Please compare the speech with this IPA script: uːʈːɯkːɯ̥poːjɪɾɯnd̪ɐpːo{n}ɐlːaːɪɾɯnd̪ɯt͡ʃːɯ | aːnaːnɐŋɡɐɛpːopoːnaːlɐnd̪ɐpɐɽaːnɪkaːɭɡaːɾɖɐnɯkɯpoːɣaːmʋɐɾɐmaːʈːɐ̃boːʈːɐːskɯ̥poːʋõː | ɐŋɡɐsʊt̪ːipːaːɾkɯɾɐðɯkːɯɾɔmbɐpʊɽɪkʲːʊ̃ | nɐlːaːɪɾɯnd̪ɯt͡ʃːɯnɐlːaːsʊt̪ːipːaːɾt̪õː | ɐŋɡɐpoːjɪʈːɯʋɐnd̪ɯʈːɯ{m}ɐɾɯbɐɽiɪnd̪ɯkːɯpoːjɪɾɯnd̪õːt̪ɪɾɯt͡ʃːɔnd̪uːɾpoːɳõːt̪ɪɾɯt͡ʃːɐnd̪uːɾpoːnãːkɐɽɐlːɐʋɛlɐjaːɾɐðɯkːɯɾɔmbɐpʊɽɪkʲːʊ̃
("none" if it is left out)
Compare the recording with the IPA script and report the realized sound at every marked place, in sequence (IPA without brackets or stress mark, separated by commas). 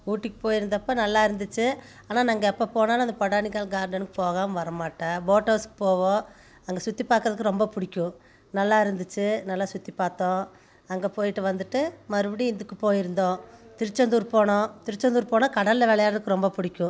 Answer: n, m